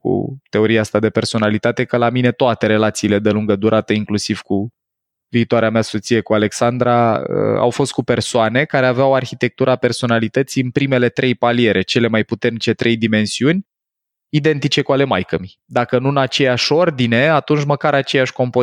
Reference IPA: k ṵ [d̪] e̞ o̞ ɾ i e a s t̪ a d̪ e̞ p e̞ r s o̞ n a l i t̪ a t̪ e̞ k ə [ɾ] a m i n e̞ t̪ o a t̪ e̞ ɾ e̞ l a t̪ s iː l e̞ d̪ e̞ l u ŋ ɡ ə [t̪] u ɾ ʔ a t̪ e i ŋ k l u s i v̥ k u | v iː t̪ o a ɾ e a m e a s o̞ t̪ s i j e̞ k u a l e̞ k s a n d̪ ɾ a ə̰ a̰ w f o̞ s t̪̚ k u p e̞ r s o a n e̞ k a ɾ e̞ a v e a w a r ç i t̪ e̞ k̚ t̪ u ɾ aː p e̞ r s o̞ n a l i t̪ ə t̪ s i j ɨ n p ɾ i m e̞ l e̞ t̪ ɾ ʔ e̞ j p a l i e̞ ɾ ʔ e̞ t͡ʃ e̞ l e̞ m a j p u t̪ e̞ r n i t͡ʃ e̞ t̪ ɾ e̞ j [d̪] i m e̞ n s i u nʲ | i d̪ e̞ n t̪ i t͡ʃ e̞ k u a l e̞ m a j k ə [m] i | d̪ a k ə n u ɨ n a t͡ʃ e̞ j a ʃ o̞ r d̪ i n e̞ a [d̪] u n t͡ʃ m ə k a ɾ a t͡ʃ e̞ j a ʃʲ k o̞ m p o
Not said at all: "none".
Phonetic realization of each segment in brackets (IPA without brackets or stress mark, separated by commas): t̪, l, d̪, d̪, m, t̪